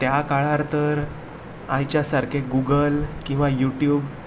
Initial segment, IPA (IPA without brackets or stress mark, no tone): t̪